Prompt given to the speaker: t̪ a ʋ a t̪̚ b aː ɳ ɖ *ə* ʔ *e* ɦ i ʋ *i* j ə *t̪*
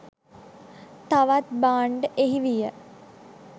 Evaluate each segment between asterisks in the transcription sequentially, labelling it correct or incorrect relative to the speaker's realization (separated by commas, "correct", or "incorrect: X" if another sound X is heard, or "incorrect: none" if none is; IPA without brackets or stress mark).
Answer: correct, correct, correct, incorrect: none